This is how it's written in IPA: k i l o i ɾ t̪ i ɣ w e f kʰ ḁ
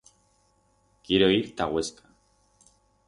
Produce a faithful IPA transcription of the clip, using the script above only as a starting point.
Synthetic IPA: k i ɾ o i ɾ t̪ a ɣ w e s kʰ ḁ